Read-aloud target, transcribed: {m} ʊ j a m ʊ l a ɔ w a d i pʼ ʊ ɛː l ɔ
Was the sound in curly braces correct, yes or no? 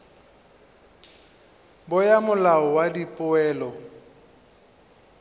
no